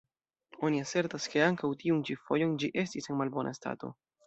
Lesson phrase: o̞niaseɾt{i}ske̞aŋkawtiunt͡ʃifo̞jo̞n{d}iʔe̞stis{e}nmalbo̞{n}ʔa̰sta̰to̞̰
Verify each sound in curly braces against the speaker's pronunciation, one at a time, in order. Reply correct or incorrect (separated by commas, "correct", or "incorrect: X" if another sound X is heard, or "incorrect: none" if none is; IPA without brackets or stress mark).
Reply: incorrect: a, incorrect: d͡ʒ, correct, correct